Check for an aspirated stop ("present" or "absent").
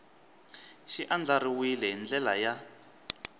absent